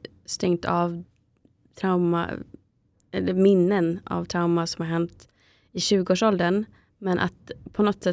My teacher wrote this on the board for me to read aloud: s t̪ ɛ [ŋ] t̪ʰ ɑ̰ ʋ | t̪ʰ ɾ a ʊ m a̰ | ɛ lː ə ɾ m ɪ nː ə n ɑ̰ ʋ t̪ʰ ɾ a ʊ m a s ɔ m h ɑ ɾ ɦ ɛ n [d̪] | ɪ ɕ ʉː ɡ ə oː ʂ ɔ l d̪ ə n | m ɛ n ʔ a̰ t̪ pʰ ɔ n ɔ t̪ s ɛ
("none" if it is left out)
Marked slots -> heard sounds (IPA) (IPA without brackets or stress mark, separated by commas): ŋ, t̪